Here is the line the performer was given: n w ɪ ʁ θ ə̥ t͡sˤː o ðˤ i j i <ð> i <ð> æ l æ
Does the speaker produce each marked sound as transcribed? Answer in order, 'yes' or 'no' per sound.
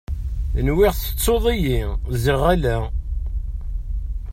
no, no

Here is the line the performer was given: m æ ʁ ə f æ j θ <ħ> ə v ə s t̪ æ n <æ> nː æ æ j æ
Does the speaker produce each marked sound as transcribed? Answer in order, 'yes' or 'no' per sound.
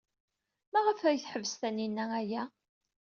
yes, no

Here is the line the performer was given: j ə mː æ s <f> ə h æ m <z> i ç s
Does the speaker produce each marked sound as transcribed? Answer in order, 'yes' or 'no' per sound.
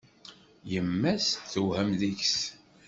no, no

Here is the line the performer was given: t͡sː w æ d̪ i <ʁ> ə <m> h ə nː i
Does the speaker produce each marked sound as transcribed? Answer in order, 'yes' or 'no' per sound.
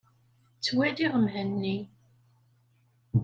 yes, yes

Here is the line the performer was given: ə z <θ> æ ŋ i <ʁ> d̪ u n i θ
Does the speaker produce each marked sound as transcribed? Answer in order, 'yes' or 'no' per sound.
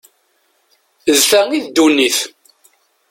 yes, no

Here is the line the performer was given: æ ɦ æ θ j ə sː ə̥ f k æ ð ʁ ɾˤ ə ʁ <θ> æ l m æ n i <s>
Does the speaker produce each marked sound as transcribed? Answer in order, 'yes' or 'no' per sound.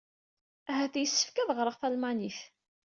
yes, no

